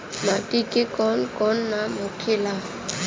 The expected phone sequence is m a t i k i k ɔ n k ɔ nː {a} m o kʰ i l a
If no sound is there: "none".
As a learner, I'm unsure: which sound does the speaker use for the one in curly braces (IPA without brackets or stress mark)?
a